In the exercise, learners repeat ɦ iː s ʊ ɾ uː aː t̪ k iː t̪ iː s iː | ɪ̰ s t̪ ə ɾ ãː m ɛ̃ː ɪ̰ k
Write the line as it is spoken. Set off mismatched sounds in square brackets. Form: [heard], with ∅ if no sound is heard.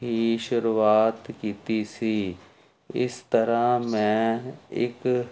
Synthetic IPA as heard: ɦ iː [ʃ] ʊ ɾ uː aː t̪ k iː t̪ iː s iː | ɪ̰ s t̪ ə ɾ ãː m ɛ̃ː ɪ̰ k